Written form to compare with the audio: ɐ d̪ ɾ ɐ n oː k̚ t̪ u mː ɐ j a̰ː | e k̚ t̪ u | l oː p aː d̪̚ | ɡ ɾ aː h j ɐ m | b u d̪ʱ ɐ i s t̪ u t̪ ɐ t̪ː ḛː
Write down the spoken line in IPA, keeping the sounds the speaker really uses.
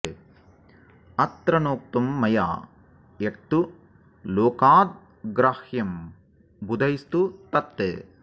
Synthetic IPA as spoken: ɐ t̪ ɾ ɐ n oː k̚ t̪ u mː ɐ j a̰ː | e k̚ t̪ u | l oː k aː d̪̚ | ɡ ɾ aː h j ɐ m | b u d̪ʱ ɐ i s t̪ u t̪ ɐ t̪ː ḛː